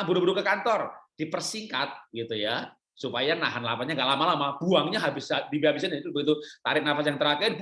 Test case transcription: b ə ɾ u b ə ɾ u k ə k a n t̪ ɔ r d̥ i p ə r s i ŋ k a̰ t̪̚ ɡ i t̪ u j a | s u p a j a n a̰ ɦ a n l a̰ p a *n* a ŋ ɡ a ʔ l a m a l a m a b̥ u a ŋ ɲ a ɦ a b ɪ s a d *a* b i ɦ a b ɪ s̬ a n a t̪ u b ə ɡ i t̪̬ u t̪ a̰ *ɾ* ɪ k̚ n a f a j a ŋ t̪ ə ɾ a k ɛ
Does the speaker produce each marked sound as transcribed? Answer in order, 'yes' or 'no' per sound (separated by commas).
no, no, yes